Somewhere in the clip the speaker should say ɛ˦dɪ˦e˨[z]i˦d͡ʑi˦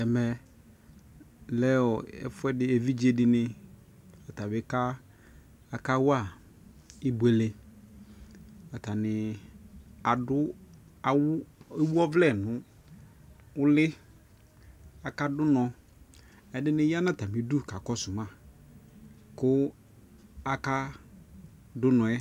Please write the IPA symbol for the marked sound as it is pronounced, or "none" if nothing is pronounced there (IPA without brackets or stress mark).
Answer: v